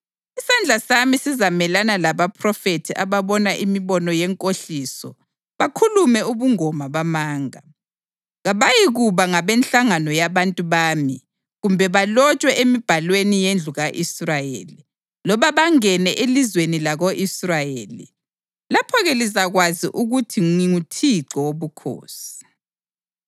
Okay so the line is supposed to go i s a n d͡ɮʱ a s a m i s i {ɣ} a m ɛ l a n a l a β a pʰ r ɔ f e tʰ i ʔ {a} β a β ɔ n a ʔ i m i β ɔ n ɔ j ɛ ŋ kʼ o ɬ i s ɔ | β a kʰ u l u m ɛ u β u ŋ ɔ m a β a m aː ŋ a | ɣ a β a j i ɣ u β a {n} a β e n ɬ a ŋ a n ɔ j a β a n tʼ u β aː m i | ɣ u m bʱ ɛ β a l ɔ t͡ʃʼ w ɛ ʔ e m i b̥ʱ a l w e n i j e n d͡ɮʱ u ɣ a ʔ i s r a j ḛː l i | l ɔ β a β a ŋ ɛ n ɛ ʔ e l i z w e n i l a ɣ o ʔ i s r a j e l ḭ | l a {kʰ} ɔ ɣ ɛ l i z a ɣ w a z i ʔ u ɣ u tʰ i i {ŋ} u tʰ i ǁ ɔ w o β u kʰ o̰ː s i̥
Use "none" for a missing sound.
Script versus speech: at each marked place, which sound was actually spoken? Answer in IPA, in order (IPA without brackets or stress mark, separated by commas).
z, a, ŋ, pʰ, ŋ